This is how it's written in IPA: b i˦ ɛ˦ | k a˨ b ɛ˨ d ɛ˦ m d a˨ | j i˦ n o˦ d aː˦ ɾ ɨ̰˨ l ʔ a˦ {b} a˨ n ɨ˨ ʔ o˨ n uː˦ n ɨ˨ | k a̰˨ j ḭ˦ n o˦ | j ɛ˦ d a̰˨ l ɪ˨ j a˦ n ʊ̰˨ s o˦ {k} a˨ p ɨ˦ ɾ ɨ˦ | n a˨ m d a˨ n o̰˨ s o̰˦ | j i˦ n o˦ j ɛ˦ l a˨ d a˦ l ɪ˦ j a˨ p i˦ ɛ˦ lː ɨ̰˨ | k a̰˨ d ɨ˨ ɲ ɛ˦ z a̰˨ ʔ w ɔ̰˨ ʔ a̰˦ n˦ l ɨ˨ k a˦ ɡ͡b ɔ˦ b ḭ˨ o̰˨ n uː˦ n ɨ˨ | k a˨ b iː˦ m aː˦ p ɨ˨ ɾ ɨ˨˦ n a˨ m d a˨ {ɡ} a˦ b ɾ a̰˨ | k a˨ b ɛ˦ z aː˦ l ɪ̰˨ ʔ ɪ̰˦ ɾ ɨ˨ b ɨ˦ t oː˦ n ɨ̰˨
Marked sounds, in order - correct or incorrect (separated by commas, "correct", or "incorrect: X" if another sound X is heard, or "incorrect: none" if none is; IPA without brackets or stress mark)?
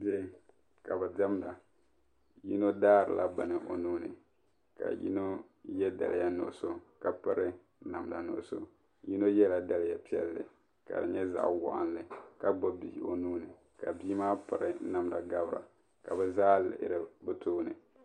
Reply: correct, correct, correct